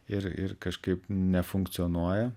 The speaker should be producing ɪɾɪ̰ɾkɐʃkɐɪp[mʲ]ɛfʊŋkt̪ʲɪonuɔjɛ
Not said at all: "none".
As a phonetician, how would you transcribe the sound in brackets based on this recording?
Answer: nʲ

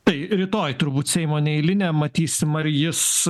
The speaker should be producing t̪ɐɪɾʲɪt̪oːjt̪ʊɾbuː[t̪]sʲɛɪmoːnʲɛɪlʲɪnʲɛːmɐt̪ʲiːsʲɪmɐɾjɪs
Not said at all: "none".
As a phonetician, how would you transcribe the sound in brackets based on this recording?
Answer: t̪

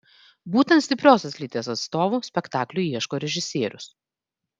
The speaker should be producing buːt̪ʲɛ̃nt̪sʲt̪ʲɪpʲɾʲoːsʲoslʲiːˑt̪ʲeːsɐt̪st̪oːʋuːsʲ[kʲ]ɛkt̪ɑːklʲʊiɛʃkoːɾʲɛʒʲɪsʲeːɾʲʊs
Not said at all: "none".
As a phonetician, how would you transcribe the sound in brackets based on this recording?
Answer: pʲ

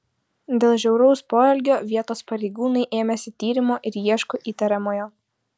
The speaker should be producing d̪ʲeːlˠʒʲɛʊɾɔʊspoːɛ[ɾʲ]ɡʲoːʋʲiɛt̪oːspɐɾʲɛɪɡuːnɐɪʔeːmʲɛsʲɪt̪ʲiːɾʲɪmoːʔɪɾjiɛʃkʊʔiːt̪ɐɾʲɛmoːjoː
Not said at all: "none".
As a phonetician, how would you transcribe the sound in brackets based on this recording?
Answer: lʲ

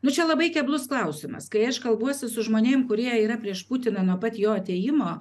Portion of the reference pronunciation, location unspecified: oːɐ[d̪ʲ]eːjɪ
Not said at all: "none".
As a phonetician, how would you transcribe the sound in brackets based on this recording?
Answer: t̪ʲ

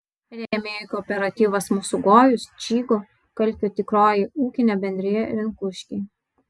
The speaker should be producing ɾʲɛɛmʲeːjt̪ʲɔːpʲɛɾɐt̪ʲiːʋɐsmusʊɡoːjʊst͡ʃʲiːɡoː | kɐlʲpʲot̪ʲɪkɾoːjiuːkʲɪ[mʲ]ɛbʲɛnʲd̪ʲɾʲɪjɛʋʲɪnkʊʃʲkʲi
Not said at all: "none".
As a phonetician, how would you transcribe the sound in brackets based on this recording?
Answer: nʲ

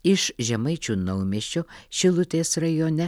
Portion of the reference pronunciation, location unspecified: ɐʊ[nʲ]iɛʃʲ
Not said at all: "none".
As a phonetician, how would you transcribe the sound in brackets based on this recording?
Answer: mʲ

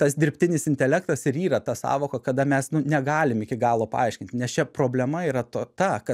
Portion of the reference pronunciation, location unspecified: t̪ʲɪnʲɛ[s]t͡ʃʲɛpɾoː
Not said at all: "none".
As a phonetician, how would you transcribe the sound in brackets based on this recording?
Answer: s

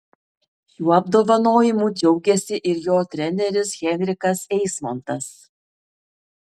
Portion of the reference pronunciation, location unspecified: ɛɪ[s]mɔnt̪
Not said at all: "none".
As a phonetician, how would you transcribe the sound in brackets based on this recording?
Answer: s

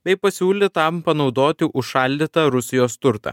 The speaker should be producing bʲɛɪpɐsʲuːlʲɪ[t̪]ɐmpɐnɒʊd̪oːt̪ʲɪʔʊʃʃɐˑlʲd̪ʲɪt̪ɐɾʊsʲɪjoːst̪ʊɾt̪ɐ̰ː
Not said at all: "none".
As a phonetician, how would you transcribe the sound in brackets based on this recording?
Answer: t̪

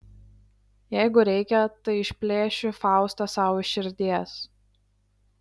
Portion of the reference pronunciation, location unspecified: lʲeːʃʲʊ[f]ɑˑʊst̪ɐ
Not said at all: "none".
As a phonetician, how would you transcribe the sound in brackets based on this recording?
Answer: f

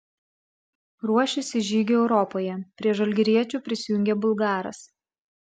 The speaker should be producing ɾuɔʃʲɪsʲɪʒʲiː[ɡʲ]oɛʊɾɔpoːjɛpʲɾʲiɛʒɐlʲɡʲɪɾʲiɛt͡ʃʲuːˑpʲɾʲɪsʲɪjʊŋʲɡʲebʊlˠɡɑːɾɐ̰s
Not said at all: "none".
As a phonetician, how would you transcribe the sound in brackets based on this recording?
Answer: ɡʲ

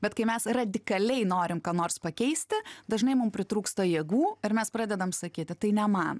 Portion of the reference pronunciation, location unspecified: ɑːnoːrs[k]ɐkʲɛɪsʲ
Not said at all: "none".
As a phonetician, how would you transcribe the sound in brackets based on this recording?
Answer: p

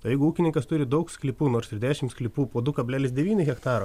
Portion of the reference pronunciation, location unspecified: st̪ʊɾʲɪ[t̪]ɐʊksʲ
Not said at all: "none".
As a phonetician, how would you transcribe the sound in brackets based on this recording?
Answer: d̪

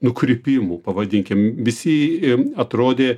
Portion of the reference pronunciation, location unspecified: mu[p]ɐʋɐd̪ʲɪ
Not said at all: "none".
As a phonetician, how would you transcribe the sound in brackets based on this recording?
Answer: p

